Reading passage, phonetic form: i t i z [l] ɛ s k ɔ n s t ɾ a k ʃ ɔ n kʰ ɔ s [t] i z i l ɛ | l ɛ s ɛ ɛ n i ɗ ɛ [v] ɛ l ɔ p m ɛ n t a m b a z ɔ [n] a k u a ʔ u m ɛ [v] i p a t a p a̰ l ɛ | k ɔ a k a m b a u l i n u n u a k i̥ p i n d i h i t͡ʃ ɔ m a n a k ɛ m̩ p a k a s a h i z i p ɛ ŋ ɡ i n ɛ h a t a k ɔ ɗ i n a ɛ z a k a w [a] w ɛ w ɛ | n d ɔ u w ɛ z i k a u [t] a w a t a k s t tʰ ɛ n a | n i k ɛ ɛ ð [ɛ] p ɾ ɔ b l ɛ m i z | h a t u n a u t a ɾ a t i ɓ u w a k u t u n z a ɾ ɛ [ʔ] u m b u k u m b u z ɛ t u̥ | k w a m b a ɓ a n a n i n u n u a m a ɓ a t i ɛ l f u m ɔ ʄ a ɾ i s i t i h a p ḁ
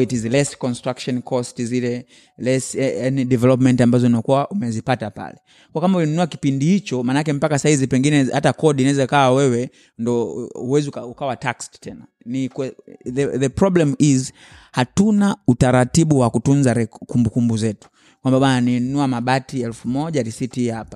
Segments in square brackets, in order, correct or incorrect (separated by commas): correct, correct, correct, correct, incorrect, correct, incorrect, correct, incorrect